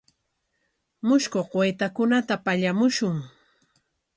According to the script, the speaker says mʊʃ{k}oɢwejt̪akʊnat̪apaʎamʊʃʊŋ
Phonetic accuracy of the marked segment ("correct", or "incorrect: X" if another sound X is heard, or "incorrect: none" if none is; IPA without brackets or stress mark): correct